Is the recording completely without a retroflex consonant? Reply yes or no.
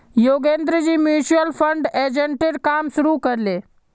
no